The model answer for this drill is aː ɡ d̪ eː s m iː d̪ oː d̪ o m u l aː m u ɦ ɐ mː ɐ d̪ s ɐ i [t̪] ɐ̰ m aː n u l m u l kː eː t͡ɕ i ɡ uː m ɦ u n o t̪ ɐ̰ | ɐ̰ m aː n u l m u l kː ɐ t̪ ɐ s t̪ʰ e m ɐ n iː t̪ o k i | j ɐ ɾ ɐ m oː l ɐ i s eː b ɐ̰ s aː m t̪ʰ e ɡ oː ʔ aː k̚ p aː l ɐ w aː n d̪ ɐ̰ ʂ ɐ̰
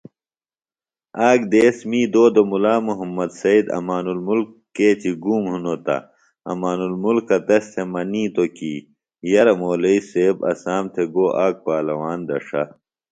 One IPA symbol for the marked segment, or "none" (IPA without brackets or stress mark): d̪